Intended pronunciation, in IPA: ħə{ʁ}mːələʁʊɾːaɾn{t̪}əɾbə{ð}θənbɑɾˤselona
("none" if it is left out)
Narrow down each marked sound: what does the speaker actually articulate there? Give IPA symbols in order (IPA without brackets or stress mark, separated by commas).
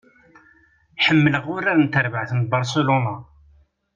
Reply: none, t̪, ʕ